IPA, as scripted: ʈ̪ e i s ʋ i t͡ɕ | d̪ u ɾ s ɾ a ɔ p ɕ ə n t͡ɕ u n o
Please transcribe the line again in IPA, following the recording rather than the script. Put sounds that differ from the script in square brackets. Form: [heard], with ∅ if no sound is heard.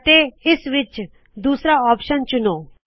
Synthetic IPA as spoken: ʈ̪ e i s ʋ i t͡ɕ | d̪ u [∅] s ɾ a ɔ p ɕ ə n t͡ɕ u n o